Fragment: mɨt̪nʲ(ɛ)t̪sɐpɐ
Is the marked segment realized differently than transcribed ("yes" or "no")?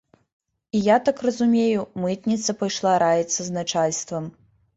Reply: yes